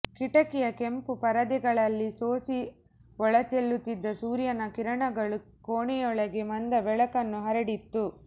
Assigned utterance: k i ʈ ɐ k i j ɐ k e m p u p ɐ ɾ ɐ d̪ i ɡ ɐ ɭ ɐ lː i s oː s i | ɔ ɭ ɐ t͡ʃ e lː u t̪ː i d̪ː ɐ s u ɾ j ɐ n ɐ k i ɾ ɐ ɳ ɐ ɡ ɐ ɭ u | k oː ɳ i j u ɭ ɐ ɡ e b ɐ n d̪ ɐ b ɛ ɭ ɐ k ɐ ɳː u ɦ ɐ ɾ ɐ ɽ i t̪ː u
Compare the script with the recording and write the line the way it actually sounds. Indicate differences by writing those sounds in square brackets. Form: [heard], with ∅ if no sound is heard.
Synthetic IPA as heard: k i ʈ ɐ k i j ɐ k e m p u p ɐ ɾ ɐ d̪ i ɡ ɐ ɭ ɐ lː i s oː s i | ɔ ɭ ɐ t͡ʃ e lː u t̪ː i d̪ː ɐ s [uː] ɾ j ɐ n ɐ k i ɾ ɐ ɳ ɐ ɡ ɐ ɭ u | k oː ɳ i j [ɔ] ɭ ɐ ɡ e [m] ɐ n d̪ ɐ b ɛ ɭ ɐ k ɐ [nː] u ɦ ɐ ɾ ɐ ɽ i t̪ː u